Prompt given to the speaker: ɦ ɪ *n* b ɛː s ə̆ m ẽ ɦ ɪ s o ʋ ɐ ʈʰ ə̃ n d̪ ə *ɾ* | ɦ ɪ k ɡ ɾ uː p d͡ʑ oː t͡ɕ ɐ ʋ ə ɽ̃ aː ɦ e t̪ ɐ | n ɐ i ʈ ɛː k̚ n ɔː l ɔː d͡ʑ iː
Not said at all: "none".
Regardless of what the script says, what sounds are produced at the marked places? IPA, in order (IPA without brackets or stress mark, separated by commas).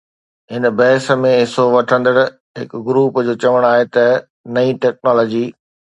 n, ɽ